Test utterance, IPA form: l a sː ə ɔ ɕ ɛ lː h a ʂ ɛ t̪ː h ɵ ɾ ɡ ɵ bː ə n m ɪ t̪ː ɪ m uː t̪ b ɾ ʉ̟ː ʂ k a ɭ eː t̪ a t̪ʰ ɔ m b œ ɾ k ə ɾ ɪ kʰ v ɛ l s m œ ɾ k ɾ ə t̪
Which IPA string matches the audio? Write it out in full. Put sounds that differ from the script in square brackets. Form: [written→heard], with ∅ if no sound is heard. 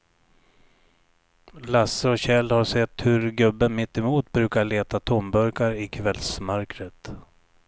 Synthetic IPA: l a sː ə ɔ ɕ ɛ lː h a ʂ ɛ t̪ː h ɵ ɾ ɡ ɵ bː ə n m ɪ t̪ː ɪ m uː t̪ b ɾ ʉ̟ː [ʂ→∅] k a ɭ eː t̪ a t̪ʰ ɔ m b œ ɾ k [ə→a] ɾ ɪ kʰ v ɛ l s m œ ɾ k ɾ ə t̪